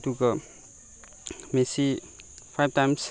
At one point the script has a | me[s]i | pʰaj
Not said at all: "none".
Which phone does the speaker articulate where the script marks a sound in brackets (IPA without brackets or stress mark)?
s